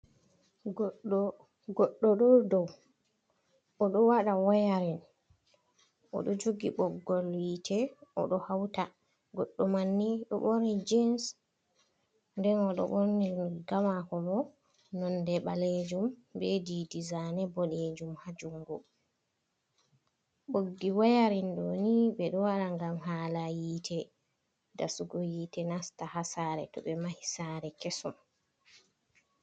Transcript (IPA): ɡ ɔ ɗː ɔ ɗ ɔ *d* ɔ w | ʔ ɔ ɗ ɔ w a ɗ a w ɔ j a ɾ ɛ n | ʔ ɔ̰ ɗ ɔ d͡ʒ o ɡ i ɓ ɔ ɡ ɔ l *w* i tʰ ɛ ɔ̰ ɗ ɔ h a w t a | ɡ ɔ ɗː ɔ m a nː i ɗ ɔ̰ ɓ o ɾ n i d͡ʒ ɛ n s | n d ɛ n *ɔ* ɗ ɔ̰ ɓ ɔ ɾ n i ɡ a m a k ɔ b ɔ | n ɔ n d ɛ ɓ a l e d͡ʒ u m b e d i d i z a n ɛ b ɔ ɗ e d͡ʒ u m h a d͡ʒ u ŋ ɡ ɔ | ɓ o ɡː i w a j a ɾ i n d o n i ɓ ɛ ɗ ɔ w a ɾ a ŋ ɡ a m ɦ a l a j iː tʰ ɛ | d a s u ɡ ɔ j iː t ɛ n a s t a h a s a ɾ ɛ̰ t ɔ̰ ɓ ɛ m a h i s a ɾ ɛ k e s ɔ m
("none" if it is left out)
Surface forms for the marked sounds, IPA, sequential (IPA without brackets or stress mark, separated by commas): d, w, ɔ